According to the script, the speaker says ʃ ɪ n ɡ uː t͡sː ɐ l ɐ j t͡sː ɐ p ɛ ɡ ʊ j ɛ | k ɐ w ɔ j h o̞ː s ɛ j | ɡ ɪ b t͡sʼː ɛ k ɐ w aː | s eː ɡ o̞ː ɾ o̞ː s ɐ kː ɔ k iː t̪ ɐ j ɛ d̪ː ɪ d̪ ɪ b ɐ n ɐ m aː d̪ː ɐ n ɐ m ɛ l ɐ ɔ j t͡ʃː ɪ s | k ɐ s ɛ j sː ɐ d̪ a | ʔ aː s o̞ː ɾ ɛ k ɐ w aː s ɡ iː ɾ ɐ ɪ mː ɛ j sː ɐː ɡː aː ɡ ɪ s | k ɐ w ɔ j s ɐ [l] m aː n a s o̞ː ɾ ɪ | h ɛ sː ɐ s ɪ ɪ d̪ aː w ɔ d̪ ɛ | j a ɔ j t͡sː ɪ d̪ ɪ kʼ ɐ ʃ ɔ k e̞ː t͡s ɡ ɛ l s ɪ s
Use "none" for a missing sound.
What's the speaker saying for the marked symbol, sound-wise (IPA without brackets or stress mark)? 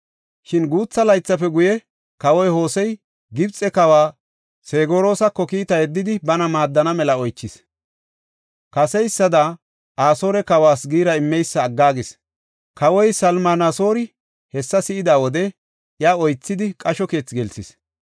l